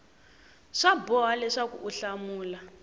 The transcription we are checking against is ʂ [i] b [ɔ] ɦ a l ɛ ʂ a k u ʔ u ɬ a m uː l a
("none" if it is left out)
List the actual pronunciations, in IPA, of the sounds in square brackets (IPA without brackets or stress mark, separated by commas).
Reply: a, ɔ